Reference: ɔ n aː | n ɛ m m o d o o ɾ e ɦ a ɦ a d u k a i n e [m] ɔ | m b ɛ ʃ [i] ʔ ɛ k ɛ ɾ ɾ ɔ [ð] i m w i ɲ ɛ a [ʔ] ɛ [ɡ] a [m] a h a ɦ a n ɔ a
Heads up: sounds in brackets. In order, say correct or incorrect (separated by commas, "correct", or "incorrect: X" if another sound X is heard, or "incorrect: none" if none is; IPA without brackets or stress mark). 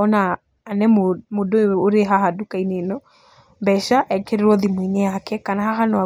incorrect: n, incorrect: a, correct, incorrect: k, incorrect: k, incorrect: n